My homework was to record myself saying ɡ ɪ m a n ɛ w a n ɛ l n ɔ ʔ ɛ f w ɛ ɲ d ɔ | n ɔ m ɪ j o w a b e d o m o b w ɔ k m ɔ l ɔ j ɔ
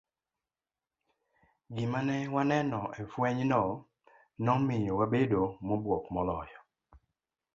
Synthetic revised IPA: ɡ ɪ m a n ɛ w a n ɛ n ɔ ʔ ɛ f w ɛ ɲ n ɔ | n ɔ m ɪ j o w a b e d o m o b w ɔ k m ɔ l ɔ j ɔ